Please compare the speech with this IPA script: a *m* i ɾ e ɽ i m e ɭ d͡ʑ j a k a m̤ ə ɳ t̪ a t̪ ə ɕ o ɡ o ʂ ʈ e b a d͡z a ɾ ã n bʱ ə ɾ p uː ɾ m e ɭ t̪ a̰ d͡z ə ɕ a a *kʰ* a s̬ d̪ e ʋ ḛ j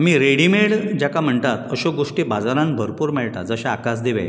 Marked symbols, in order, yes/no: yes, no

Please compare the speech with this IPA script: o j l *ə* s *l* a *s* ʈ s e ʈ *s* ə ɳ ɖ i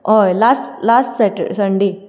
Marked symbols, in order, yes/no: no, yes, yes, yes

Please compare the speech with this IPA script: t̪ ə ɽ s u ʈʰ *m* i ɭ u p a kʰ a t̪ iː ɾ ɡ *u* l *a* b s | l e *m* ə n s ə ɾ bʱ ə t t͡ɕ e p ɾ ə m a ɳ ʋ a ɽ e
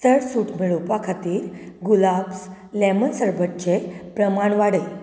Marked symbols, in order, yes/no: yes, yes, yes, yes

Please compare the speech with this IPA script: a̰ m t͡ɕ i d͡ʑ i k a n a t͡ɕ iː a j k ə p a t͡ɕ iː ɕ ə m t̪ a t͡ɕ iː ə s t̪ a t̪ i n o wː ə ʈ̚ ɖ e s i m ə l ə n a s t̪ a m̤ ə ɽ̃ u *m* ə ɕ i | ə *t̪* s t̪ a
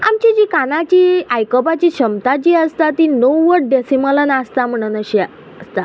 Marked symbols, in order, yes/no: no, no

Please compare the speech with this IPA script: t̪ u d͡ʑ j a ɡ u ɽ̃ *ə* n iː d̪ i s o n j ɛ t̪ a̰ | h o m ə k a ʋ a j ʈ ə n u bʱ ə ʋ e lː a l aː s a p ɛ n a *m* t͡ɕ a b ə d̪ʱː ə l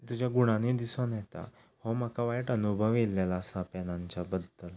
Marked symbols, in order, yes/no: no, no

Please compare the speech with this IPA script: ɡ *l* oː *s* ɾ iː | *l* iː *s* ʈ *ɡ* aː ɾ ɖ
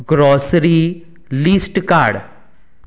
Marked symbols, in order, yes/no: no, yes, yes, yes, no

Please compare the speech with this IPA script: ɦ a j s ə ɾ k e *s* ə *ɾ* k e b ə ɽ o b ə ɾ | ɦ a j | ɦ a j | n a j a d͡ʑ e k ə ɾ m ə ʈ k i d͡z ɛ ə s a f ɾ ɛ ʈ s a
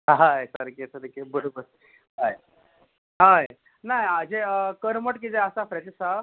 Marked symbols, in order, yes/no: yes, yes

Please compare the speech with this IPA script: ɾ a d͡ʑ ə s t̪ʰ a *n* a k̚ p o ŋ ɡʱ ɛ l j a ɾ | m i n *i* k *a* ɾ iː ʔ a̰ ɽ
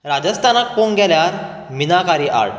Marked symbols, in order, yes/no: yes, no, yes

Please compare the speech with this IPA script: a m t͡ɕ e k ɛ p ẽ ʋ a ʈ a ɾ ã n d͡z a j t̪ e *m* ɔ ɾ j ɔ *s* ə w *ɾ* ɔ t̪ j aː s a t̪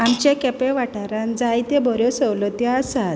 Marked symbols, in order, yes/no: no, yes, no

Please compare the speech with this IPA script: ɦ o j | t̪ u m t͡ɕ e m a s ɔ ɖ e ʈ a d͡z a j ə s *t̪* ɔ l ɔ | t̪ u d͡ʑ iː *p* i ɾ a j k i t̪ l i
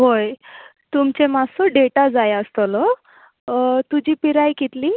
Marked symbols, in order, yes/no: yes, yes

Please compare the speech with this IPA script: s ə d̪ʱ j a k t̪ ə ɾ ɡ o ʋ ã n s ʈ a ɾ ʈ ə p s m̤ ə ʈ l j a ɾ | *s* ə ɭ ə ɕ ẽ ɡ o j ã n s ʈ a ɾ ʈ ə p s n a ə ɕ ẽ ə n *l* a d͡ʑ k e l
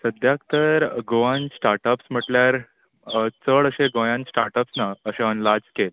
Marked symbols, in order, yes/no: no, yes

